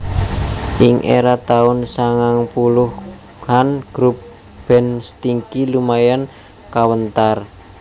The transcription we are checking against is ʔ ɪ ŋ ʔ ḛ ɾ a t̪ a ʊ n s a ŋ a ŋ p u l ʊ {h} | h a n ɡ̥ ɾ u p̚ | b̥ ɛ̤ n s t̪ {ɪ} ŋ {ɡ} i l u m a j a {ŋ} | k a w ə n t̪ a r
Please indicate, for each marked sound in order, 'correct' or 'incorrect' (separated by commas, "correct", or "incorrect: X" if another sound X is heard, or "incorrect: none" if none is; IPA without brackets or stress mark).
correct, incorrect: i, incorrect: k, incorrect: n